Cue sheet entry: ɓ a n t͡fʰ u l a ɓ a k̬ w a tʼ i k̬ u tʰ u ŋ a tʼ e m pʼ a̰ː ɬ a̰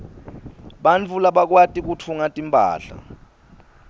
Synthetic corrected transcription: ɓ a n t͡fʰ u l a ɓ a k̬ w a tʼ i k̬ u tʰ u ŋ a tʼ i m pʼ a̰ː ɬ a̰